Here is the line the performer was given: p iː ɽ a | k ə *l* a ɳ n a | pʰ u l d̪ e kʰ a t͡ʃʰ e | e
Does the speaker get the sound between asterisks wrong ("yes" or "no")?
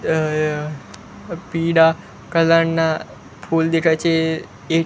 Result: no